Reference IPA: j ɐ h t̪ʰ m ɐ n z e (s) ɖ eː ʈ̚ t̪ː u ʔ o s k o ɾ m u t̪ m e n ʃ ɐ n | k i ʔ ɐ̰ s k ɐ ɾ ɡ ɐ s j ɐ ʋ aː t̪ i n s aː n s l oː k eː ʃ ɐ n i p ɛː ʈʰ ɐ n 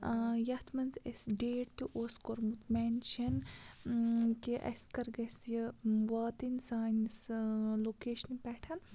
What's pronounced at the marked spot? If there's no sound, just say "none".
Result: s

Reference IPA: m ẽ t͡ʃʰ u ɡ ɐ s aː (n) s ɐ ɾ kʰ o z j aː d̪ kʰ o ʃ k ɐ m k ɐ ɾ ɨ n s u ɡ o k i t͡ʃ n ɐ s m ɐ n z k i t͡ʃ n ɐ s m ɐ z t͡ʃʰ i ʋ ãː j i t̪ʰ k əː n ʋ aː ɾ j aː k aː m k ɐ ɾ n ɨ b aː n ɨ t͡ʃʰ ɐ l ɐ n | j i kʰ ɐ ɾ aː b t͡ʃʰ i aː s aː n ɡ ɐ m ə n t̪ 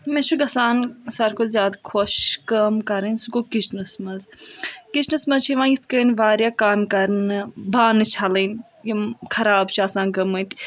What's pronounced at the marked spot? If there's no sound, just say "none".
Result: n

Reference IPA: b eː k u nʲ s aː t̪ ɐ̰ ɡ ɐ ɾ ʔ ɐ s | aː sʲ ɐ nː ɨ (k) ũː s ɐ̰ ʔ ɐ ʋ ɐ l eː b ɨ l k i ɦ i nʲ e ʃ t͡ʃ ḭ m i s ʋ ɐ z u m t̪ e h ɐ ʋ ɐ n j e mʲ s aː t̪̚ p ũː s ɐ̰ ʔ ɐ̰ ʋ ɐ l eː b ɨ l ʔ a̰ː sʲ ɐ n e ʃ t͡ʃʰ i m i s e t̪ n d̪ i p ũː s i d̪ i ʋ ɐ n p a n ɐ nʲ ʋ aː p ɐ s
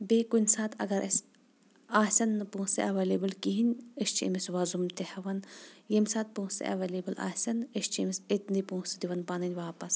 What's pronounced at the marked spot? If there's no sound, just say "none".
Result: p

